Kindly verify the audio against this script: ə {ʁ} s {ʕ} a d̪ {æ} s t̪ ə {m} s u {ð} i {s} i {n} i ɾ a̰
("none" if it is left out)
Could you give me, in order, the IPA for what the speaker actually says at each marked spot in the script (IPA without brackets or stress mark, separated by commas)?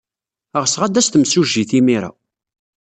ʁ, ʁ, æ, m, ʒ, θ, m